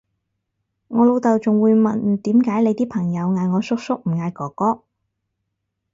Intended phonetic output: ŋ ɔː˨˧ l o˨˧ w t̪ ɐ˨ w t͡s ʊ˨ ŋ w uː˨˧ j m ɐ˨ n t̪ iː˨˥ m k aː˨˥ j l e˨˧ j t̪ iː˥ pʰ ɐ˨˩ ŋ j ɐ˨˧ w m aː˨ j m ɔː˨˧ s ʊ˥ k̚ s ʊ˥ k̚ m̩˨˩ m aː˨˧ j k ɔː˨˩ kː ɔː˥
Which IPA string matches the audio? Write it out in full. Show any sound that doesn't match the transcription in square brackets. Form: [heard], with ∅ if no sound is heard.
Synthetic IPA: ŋ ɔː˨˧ l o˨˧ w t̪ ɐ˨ w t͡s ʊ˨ ŋ w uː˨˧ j m ɐ˨ n t̪ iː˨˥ m k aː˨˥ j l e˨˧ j t̪ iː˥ pʰ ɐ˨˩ ŋ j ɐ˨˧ w [ŋ] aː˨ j [ŋ] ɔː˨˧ s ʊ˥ k̚ s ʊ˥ k̚ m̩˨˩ [ŋ] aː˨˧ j k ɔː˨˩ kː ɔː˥